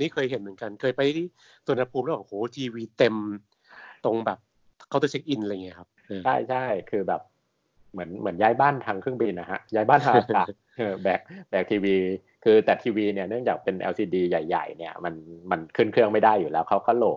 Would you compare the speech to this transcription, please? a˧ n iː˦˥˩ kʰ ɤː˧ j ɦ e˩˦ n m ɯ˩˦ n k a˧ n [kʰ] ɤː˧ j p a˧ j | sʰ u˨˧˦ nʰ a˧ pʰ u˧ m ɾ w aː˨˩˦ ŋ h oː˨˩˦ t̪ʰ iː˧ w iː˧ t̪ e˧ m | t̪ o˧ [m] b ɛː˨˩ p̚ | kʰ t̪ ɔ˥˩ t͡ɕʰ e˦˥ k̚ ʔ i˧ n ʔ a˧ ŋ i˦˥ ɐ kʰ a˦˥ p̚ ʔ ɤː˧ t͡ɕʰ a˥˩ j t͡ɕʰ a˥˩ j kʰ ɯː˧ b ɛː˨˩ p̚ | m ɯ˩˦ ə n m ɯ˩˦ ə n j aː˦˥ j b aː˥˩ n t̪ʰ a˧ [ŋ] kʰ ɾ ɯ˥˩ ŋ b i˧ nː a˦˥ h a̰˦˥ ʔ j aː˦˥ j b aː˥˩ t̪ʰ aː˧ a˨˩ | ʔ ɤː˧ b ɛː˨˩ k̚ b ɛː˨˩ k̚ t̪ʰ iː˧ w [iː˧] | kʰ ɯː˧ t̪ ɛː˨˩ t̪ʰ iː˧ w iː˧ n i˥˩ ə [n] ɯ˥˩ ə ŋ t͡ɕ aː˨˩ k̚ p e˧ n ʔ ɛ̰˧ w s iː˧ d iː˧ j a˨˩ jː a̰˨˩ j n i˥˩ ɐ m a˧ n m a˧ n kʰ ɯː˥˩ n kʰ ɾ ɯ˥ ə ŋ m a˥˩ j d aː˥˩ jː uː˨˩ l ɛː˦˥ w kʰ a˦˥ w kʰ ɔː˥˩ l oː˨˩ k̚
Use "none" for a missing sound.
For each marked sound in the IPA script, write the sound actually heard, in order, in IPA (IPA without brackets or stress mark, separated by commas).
kʰ, ŋ, ŋ, iː˧, n